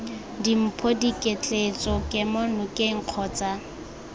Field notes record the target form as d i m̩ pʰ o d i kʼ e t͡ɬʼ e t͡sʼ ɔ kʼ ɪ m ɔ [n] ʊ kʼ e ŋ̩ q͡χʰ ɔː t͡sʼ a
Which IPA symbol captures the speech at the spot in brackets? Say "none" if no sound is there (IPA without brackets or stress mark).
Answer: n